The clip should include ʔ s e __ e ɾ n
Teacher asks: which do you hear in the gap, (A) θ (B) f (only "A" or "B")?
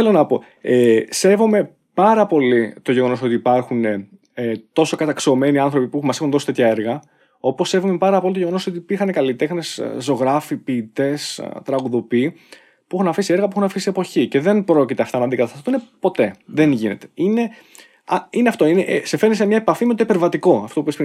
B